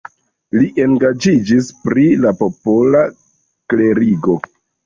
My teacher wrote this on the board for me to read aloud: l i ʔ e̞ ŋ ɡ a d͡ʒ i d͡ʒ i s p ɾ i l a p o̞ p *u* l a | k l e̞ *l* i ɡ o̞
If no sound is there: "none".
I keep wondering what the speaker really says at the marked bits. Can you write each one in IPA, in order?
o, ɾ

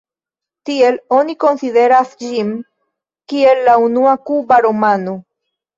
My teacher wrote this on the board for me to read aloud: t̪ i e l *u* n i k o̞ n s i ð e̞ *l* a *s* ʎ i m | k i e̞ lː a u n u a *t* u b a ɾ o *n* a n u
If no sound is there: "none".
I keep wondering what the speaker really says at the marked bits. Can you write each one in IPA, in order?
o, ɾ, s, k, m

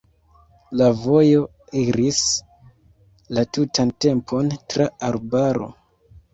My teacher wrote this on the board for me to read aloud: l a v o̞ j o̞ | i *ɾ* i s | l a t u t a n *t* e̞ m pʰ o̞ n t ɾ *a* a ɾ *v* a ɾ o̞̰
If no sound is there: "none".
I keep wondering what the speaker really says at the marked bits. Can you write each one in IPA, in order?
ɾ, t, a, b

